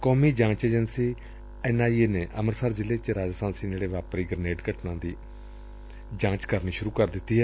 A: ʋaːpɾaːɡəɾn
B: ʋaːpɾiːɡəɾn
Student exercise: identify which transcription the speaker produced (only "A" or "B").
B